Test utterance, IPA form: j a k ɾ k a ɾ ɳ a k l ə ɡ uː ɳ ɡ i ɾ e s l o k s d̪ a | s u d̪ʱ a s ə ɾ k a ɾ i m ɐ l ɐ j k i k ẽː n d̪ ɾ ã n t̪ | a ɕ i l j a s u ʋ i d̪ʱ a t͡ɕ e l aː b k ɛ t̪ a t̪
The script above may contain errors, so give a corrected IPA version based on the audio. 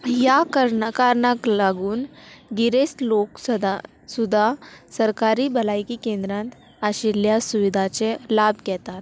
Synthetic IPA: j a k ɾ k a ɾ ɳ a k l a ɡ uː n ɡ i ɾ e s l o k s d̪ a | s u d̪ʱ a s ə ɾ k a ɾ i b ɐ l a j k i k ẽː n d̪ ɾ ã n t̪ | a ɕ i l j a s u ʋ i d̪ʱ a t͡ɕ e l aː b k ɛ t̪ a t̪